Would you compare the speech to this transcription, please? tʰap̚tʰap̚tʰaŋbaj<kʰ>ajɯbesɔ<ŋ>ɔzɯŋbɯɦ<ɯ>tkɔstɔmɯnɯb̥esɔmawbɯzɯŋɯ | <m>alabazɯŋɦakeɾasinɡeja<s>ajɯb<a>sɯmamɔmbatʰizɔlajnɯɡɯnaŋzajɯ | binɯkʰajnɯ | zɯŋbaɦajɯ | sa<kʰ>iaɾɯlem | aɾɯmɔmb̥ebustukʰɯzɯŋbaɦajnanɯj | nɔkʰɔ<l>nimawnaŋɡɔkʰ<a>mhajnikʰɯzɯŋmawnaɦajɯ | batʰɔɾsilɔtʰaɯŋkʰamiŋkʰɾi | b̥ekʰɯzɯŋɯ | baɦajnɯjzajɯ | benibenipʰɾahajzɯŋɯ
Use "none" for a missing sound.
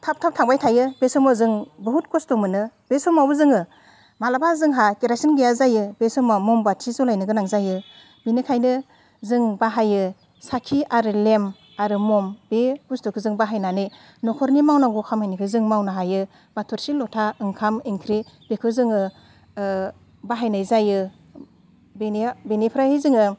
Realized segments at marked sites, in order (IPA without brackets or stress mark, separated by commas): tʰ, m, u, m, z, e, kʰ, ɾ, a